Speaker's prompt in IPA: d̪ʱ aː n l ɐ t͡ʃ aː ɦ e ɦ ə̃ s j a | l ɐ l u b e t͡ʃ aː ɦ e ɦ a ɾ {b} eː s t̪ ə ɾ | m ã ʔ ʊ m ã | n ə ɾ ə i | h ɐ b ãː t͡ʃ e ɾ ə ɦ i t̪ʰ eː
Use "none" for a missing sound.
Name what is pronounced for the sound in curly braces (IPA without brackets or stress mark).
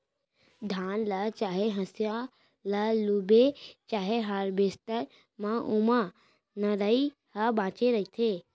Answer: b